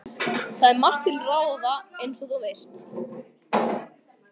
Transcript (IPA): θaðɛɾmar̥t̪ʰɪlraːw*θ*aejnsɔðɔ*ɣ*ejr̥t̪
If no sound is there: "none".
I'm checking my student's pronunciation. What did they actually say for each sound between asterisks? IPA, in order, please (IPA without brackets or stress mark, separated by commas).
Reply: ð, v